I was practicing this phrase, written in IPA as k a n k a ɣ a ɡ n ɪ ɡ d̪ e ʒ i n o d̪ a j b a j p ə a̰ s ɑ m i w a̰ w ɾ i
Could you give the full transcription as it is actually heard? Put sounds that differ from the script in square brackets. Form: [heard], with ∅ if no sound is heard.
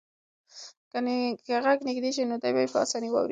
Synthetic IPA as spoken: k a n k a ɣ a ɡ n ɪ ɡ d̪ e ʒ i n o d̪ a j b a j p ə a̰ s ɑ [n] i w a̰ w ɾ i

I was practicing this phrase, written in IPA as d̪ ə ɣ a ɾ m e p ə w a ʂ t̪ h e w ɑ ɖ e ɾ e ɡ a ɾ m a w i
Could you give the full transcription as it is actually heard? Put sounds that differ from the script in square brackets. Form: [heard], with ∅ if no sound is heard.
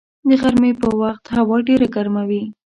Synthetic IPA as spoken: d̪ ə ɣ a ɾ m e p ə w a [x] t̪ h [a] w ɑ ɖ e ɾ [a] ɡ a ɾ m a w i

